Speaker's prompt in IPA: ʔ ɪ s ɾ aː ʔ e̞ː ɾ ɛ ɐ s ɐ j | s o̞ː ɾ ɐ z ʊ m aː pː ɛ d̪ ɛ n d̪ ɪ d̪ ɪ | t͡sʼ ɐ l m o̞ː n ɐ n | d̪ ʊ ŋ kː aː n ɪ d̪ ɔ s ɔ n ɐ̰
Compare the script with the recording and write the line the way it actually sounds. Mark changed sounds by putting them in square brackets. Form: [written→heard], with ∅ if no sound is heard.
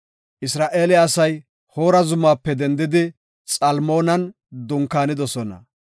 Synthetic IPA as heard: ʔ ɪ s ɾ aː ʔ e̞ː [ɾ→l] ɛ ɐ s ɐ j | [s→h] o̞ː ɾ ɐ z ʊ m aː pː ɛ d̪ ɛ n d̪ ɪ d̪ ɪ | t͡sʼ ɐ l m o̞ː n ɐ n | d̪ ʊ ŋ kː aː n ɪ d̪ ɔ s ɔ n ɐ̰